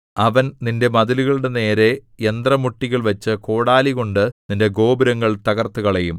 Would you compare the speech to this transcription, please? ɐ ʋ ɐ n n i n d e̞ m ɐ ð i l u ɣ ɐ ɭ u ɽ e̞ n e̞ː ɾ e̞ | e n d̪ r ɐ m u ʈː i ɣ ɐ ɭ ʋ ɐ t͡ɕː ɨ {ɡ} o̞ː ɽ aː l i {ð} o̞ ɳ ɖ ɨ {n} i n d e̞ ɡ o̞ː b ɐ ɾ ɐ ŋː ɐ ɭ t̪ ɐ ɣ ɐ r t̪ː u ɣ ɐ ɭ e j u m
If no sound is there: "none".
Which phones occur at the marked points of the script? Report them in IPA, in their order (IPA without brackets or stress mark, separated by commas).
k, ɣ, n